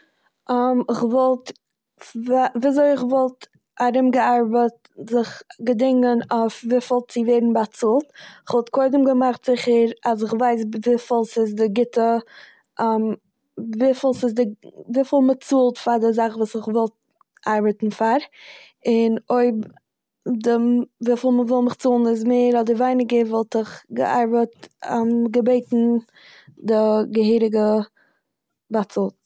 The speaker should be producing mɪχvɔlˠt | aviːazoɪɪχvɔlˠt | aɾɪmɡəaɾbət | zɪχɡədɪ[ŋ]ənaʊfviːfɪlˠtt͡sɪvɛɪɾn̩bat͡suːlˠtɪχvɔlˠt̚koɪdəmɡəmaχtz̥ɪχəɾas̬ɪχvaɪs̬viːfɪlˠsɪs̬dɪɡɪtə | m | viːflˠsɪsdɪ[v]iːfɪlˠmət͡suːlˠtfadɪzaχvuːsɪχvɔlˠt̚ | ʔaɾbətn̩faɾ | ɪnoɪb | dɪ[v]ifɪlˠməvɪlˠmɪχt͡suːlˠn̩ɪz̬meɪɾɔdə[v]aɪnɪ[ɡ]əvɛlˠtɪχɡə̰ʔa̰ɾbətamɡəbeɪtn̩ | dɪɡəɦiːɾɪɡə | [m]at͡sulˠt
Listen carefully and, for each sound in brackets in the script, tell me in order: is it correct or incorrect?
correct, correct, correct, correct, correct, incorrect: b

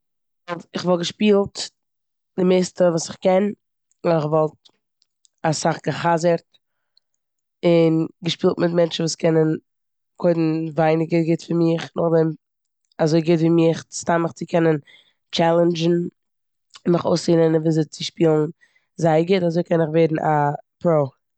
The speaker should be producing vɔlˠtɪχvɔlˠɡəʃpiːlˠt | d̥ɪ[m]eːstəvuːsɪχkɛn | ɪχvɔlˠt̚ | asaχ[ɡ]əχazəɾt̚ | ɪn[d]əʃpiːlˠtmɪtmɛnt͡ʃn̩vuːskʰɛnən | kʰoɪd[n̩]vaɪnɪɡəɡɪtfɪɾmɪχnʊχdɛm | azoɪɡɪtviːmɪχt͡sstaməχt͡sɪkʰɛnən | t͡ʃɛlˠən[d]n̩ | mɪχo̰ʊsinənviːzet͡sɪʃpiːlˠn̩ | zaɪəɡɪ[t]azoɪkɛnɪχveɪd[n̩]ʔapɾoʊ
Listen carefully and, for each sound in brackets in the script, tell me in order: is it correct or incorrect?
correct, correct, incorrect: ɡ, correct, incorrect: d͡ʒ, correct, correct

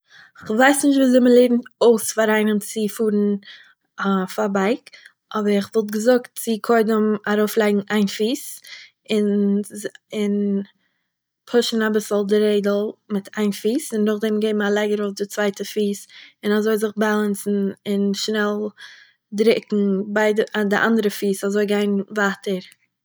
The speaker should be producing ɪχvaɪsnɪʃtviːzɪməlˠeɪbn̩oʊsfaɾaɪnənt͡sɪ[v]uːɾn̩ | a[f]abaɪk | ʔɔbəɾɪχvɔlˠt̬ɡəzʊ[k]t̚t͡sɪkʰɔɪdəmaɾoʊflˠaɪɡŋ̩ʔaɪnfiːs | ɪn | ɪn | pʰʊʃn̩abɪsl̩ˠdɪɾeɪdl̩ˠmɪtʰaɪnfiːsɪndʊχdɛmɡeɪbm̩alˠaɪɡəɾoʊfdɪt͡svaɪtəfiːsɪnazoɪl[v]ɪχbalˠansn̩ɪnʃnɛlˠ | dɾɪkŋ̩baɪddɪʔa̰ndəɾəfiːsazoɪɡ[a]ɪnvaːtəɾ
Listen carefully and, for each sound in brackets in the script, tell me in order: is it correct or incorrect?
incorrect: f, correct, correct, incorrect: z, correct

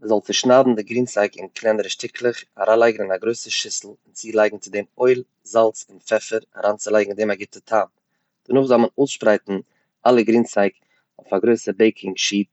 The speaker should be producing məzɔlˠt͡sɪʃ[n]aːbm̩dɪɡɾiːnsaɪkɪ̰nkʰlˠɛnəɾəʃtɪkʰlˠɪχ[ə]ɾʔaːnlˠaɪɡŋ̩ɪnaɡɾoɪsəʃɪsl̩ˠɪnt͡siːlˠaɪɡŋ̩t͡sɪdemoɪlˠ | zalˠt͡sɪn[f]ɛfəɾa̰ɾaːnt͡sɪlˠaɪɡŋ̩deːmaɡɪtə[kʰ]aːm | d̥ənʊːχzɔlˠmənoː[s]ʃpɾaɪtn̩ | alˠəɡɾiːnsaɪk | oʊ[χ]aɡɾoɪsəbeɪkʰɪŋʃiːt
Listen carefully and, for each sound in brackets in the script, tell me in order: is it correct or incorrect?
correct, incorrect: a, correct, incorrect: tʰ, correct, incorrect: f

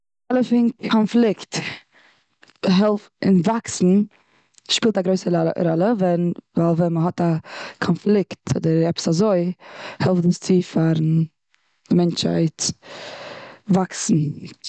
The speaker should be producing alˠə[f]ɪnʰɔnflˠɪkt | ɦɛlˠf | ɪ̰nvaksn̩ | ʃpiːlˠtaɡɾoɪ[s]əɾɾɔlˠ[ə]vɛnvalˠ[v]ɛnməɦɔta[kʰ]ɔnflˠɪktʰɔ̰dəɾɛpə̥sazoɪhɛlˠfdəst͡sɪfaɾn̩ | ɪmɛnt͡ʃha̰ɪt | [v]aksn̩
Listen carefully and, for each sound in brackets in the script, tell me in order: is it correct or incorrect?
correct, correct, correct, correct, correct, correct

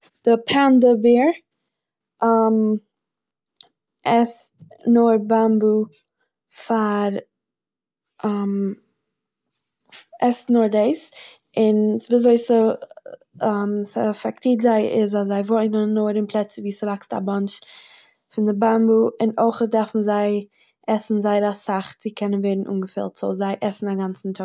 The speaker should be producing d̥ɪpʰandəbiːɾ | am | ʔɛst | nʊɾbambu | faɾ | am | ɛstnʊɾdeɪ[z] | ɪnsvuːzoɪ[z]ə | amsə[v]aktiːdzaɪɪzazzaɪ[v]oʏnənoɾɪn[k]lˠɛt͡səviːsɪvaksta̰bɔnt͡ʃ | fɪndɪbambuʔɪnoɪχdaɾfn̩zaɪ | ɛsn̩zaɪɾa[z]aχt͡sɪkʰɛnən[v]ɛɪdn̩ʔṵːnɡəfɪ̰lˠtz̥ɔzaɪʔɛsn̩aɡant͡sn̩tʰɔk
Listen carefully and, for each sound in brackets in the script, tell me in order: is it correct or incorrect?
incorrect: s, incorrect: s, incorrect: f, correct, incorrect: p, incorrect: s, correct

